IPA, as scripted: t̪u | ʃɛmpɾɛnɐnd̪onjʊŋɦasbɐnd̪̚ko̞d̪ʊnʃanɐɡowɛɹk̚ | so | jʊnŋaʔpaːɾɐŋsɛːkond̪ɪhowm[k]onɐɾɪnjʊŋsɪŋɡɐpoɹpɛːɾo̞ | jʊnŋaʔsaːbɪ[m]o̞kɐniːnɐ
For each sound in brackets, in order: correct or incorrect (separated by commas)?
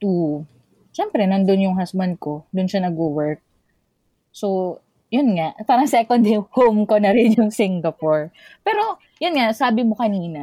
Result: correct, correct